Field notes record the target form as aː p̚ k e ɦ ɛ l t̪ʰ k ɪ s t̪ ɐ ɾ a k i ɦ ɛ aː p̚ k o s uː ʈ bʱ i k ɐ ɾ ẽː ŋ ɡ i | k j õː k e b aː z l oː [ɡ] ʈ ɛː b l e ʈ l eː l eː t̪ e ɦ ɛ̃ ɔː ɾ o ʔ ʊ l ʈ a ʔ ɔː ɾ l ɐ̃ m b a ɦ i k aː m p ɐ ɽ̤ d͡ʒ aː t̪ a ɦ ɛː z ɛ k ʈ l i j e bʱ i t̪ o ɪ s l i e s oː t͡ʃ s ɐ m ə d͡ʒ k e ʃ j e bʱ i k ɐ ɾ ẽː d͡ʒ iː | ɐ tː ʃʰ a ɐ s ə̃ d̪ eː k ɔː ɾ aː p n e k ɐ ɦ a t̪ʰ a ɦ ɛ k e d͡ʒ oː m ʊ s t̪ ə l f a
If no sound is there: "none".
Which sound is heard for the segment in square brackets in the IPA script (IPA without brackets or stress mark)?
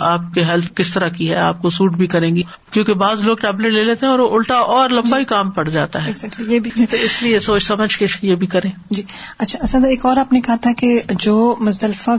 ɡ